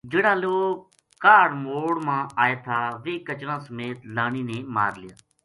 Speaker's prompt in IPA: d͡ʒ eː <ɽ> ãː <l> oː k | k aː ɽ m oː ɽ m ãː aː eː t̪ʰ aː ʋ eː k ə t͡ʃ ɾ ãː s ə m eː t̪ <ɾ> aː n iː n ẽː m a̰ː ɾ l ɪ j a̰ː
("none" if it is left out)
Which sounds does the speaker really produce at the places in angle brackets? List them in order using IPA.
ɽ, l, l

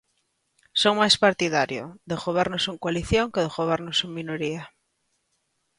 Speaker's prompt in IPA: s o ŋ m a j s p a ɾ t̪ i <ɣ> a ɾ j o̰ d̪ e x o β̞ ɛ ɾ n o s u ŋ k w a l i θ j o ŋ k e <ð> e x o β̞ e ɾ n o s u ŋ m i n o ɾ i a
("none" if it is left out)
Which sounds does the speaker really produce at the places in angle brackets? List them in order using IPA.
ð, ð

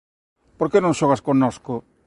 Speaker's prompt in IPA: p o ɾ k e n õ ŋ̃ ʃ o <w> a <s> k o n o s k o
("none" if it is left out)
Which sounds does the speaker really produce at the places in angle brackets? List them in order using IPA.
ɣ, s

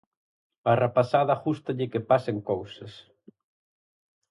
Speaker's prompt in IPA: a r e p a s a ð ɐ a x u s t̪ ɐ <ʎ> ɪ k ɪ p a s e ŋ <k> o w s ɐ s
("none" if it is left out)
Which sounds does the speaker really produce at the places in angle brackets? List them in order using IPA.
ʎ, k

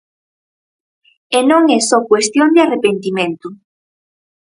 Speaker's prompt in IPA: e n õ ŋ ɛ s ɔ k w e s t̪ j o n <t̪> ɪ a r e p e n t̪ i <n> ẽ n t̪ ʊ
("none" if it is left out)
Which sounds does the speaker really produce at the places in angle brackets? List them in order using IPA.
d̪, m

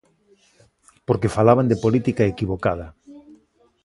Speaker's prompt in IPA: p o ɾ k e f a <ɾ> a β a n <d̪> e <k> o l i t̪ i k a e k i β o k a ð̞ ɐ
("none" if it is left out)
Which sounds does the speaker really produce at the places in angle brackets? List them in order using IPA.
l, d̪, p

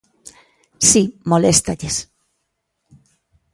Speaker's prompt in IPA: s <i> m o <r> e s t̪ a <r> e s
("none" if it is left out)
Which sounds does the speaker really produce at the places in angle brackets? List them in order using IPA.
i, l, ʎ

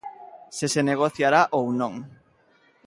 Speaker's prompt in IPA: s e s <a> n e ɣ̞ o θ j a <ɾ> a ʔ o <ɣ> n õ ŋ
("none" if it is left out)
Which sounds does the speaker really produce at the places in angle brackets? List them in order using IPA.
e, ɾ, w

